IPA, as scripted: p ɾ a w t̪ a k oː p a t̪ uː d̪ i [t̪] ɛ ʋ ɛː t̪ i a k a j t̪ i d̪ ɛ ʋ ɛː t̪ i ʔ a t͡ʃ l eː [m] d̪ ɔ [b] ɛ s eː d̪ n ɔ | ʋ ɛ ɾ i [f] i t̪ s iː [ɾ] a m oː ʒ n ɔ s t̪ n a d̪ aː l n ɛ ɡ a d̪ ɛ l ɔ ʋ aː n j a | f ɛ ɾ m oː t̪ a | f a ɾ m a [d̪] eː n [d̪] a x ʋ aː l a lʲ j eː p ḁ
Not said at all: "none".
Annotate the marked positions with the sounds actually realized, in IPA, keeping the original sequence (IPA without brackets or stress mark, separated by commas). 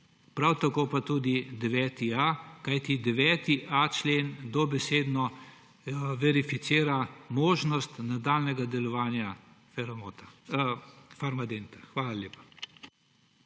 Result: d̪, n, b, f, ɾ, d̪, t̪